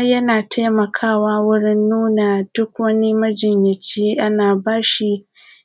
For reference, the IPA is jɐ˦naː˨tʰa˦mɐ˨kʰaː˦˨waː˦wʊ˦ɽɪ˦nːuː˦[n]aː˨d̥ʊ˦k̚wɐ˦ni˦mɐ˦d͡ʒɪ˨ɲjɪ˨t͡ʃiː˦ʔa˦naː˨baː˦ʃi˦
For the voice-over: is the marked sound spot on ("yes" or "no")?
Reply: yes